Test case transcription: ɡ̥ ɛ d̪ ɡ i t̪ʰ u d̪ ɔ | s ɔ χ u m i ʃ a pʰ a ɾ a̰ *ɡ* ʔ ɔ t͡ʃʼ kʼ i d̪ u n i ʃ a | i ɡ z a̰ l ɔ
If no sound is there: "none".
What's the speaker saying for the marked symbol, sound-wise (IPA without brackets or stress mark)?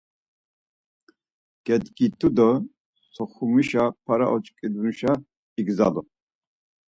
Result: none